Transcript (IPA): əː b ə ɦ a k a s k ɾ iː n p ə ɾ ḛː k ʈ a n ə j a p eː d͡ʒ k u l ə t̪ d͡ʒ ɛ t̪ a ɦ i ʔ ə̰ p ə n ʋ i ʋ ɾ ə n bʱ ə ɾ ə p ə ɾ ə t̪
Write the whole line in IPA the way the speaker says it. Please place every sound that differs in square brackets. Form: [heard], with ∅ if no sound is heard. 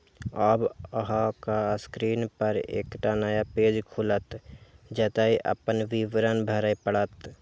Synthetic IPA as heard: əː b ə ɦ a k a s k ɾ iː n p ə ɾ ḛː k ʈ a n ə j a p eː d͡ʒ [kʰ] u l ə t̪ d͡ʒ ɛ t̪ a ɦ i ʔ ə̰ p ə n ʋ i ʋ ɾ ə n bʱ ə ɾ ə p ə [ɽ] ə t̪